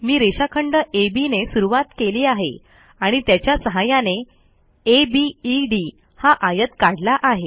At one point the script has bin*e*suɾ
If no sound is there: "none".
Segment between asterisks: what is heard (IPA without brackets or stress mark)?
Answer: e